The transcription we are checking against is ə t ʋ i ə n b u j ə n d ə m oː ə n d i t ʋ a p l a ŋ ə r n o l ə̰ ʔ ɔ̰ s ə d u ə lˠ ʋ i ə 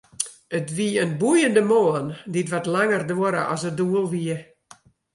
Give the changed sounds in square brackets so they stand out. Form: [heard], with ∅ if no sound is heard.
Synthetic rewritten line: ə t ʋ i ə n b u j ə n d ə m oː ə n d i t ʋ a [t] l a ŋ ə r [d] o [ɾ] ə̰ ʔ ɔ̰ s ə d u ə lˠ ʋ i ə